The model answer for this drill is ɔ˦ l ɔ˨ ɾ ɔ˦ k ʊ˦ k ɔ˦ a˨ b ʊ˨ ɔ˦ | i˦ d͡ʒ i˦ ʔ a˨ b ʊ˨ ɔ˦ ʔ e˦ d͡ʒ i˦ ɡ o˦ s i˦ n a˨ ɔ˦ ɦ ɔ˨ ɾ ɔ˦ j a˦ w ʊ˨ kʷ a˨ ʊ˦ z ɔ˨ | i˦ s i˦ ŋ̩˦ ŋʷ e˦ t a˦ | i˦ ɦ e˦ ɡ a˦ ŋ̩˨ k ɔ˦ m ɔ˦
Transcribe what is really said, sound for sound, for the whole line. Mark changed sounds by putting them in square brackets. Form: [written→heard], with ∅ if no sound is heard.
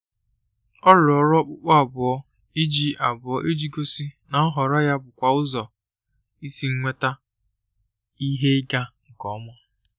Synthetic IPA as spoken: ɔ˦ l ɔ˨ ɾ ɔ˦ [k→k͡p] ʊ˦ [k→k͡p] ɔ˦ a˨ b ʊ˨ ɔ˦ | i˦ d͡ʒ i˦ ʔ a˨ b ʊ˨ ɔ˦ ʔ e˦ d͡ʒ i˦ ɡ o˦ s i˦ n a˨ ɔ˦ ɦ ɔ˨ ɾ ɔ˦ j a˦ [w→b] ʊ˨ kʷ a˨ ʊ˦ z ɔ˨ | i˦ s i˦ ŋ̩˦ ŋʷ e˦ t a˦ | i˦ ɦ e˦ ɡ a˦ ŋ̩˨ k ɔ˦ m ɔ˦